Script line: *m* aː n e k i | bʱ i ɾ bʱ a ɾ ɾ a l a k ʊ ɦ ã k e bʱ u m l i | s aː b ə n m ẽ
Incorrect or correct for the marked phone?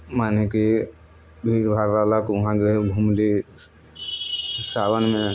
correct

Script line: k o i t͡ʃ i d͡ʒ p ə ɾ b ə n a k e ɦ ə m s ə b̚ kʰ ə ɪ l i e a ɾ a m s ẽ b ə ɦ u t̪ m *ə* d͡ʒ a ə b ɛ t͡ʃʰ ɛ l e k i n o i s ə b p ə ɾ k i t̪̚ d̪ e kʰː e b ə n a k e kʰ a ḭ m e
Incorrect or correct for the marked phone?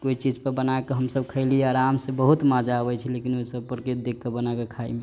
incorrect: a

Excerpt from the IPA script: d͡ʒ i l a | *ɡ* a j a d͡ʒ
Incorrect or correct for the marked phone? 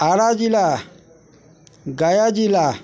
correct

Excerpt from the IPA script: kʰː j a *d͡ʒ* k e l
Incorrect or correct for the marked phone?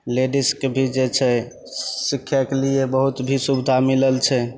incorrect: none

